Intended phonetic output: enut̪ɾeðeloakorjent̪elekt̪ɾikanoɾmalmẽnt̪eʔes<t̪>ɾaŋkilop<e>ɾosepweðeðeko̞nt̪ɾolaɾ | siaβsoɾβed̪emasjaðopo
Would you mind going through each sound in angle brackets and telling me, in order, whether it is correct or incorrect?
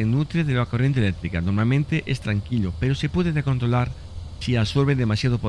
correct, correct

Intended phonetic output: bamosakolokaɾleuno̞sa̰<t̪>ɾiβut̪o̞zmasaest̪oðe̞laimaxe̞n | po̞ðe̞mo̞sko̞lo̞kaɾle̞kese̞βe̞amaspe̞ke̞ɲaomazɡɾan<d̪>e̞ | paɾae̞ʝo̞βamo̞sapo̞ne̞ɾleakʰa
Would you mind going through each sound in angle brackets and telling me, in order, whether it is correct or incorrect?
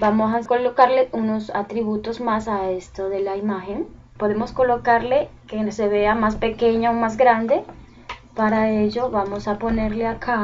correct, correct

